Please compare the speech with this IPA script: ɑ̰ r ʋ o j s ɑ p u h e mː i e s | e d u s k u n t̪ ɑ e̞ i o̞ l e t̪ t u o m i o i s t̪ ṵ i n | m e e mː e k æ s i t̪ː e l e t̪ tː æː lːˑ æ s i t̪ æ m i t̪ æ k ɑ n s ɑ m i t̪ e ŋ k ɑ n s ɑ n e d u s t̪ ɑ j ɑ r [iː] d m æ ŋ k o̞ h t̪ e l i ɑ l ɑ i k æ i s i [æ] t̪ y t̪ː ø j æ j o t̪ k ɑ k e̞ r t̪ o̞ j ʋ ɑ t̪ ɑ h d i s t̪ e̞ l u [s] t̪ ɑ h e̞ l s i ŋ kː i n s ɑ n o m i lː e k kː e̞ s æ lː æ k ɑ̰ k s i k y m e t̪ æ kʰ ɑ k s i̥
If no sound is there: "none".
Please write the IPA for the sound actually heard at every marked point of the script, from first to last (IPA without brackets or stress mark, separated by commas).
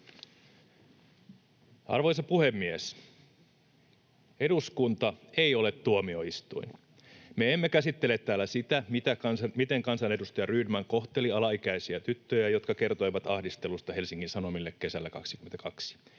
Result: yː, æ, s